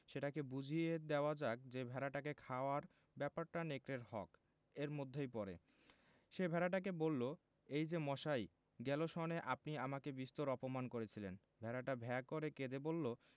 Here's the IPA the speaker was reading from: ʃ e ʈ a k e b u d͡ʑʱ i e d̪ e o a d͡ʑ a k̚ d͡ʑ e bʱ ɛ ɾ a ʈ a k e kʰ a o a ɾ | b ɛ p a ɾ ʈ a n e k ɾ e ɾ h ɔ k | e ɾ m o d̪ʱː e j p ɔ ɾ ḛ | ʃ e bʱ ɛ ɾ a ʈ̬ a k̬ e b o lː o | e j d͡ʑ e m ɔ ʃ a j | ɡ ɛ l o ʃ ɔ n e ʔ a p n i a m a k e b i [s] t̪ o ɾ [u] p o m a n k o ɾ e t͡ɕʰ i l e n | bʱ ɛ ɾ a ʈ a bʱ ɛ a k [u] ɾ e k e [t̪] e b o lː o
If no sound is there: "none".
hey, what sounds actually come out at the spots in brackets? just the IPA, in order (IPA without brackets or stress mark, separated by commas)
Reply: s, ɔ, o, d̪